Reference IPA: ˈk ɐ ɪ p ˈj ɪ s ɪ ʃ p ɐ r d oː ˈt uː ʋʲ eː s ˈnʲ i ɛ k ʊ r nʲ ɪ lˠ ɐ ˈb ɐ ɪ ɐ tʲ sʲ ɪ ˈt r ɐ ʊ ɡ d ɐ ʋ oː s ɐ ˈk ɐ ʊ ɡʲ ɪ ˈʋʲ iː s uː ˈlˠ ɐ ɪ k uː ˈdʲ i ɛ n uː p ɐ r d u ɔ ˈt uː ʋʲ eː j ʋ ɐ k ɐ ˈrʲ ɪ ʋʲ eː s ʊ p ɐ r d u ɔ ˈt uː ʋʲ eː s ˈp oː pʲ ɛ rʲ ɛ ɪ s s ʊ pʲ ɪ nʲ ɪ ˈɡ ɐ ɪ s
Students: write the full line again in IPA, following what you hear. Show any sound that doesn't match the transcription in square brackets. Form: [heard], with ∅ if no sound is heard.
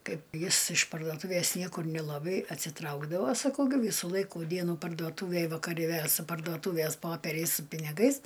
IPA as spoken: ˈk ɐ ɪ p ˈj ɪ s ɪ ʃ p ɐ r d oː ˈt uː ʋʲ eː s ˈnʲ i ɛ k ʊ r nʲ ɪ lˠ ɐ ˈb ɐ ɪ ɐ tʲ sʲ ɪ ˈt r ɐ ʊ ɡ d ɐ ʋ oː s ɐ ˈk ɐ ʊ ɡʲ ɪ ˈʋʲ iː s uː ˈlˠ ɐ ɪ k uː ˈdʲ i ɛ n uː p ɐ r d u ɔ ˈt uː ʋʲ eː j ʋ ɐ k ɐ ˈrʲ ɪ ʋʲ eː s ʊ p ɐ r d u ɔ ˈt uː ʋʲ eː s ˈp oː pʲ ɛ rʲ ɛ ɪ s s ʊ pʲ ɪ nʲ ɪ ˈɡ ɐ ɪ s